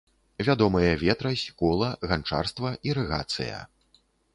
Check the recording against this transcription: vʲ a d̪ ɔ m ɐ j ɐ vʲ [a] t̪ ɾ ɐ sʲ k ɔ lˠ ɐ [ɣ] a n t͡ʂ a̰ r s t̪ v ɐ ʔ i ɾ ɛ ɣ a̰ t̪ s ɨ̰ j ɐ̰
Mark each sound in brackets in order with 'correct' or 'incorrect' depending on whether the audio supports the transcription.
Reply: incorrect, correct

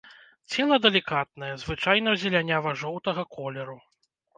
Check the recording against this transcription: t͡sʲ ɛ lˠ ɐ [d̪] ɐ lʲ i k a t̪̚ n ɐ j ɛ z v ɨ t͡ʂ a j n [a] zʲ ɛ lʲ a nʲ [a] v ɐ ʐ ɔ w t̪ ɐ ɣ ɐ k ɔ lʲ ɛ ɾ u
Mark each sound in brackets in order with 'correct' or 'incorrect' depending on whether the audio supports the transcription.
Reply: correct, incorrect, correct

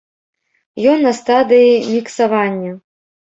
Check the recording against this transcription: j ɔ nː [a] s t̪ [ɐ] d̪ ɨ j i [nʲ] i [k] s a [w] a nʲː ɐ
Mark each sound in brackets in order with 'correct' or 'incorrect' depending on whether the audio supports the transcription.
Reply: incorrect, incorrect, incorrect, correct, incorrect

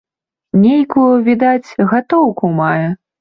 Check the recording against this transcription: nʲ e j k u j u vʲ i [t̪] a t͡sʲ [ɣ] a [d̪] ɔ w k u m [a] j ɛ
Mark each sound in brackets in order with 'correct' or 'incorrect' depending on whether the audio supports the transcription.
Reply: incorrect, correct, incorrect, correct

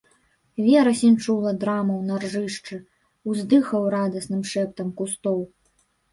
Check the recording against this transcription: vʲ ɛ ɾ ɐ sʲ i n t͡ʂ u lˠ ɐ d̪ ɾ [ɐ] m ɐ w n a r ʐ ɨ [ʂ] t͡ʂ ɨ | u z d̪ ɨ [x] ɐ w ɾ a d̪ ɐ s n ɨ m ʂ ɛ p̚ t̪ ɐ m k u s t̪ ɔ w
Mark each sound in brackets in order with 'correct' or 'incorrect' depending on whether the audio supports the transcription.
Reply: incorrect, correct, correct

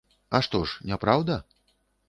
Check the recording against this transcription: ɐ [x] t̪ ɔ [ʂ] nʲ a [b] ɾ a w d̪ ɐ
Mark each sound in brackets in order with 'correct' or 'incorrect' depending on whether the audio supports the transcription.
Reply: incorrect, correct, incorrect

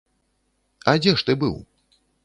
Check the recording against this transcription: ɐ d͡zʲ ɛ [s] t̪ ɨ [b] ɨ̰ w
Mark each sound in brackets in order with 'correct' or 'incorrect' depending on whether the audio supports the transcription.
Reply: incorrect, correct

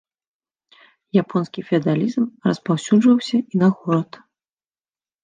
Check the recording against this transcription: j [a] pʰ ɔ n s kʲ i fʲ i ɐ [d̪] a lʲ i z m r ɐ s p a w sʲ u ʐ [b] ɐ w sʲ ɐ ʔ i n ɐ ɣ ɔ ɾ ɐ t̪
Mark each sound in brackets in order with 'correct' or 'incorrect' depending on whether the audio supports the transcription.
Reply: correct, correct, incorrect

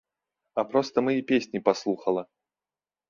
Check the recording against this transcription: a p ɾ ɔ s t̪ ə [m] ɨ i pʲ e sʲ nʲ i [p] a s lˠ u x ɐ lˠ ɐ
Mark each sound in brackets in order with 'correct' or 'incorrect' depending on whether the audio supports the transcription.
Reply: correct, correct

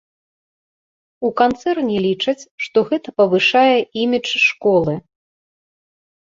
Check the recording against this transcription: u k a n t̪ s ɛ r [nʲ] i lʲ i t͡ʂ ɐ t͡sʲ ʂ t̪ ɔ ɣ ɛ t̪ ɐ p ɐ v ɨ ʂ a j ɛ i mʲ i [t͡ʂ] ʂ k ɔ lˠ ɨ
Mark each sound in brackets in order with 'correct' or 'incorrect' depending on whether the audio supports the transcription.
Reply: correct, correct

